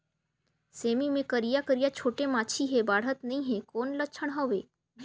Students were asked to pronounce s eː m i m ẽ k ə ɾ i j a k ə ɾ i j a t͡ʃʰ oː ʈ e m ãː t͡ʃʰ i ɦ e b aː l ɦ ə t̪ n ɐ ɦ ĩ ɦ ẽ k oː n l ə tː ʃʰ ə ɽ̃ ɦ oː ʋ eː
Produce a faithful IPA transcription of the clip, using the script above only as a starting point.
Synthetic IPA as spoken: s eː m i m ẽ k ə ɾ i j a k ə ɾ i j a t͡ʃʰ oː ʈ e m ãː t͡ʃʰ i ɦ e b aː ɽ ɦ ə t̪ n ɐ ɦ ĩ ɦ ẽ k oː n l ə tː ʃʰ ə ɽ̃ ɦ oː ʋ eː